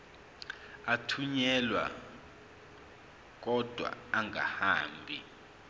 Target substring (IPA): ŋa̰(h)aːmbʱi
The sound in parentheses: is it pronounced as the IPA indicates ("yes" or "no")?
yes